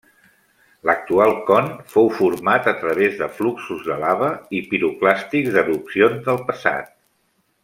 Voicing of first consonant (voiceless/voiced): voiced